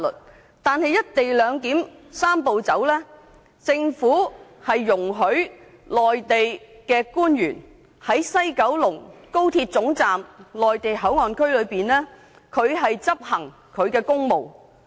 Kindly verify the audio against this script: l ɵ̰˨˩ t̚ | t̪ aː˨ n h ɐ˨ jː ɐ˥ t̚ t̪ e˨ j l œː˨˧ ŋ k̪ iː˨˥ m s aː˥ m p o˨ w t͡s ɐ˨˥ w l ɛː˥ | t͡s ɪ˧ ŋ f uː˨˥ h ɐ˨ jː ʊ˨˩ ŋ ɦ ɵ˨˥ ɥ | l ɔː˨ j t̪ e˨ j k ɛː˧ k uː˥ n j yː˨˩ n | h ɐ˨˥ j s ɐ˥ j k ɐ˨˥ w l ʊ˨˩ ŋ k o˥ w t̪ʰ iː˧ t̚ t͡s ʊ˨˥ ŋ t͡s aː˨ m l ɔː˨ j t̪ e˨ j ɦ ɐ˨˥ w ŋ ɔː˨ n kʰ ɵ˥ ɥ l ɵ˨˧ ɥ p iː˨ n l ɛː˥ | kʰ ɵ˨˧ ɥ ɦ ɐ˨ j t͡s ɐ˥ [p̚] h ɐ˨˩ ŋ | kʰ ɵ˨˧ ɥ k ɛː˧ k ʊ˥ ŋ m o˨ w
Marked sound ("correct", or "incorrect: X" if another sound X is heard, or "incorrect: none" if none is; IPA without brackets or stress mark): correct